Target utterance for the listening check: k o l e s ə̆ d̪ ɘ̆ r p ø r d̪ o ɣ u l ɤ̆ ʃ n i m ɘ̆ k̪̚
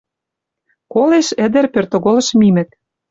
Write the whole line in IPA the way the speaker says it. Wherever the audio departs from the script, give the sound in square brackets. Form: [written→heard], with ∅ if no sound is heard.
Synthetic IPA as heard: k o l e [s→ʃ] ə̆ d̪ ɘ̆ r p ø r [d̪→t̪] o ɣ [u→o] l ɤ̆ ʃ [n→m] i m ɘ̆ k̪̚